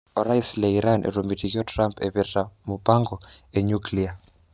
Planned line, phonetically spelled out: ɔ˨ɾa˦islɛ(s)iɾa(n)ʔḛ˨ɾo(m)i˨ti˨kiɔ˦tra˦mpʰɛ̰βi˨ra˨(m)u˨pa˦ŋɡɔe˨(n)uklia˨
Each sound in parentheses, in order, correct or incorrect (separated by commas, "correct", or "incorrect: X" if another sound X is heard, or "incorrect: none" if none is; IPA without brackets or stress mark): incorrect: none, correct, correct, correct, incorrect: ɲ